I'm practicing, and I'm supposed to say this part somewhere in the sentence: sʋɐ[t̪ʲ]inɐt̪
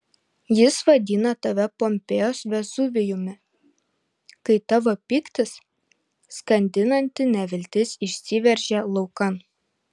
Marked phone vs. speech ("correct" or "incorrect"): incorrect